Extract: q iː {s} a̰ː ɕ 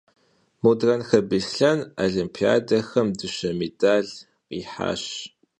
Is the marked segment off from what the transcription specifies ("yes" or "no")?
yes